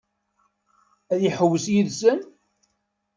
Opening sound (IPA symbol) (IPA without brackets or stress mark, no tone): æ